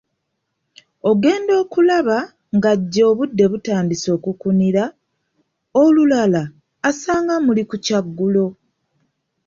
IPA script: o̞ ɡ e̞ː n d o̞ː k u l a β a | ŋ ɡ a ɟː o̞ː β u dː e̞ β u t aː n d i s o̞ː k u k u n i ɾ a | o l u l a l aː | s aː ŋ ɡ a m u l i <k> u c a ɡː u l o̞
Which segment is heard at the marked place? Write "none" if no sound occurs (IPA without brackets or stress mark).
k